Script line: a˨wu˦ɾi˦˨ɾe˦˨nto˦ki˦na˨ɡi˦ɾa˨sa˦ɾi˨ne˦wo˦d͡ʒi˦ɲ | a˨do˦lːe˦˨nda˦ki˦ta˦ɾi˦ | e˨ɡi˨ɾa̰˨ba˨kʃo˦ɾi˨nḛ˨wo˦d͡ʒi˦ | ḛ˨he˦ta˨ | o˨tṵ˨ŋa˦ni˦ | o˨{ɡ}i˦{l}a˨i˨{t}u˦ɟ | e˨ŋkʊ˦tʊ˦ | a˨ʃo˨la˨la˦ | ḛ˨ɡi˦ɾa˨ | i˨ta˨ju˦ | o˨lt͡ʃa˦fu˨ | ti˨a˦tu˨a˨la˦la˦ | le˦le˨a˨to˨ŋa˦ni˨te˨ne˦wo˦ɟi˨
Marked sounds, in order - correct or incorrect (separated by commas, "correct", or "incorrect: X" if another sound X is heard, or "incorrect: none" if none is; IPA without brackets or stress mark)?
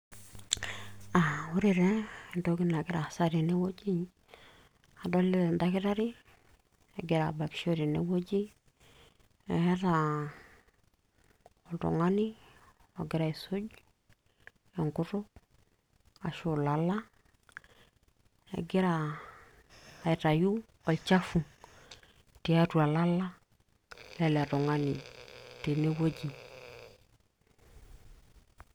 correct, incorrect: ɾ, incorrect: s